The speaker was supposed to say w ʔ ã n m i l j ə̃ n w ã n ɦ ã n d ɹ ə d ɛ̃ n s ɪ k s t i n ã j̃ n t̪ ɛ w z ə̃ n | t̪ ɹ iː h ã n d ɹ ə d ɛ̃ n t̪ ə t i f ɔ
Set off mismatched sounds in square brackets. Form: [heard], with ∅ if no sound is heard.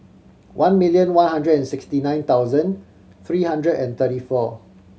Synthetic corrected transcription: w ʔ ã n m i l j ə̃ n w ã n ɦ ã n d ɹ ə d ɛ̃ n s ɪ k s t i n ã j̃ n t̪ [a] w z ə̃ n | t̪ ɹ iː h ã n d ɹ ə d ɛ̃ n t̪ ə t i f ɔ